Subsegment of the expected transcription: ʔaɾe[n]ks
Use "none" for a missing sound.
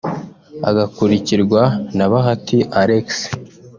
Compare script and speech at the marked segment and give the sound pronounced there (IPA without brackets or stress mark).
none